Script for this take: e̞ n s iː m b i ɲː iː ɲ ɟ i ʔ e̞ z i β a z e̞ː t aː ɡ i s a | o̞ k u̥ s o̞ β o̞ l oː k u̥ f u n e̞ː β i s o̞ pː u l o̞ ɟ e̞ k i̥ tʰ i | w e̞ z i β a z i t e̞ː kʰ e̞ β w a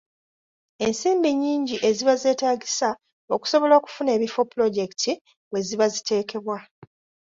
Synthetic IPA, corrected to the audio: e̞ n s iː m b i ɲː iː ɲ ɟ i ʔ e̞ z i β a z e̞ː t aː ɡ i s a | o̞ k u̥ s o̞ β o̞ l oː k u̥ f u n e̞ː β i f o̞ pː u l o̞ ɟ e̞ k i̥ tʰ i | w e̞ z i β a z i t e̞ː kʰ e̞ β w a